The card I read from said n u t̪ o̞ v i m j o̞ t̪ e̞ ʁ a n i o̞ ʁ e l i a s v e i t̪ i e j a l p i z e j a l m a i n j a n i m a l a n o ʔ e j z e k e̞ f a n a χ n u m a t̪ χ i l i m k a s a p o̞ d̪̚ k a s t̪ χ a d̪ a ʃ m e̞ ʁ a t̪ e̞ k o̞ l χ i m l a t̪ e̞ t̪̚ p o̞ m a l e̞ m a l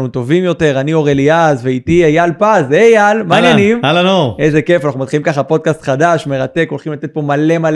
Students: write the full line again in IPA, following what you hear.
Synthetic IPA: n u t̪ o̞ v i m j o̞ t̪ e̞ ʁ a n i o̞ ʁ e l i a z v e i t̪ i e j a l p a z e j a l m a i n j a n i m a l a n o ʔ e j z e k e̞ f a n a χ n u m a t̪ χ i l i m k a χ a p o̞ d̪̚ k a s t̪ χ a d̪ a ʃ m e̞ ʁ a t̪ e̞ k o̞ l χ i m l a t̪ e̞ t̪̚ p o̞ m a l e̞ m a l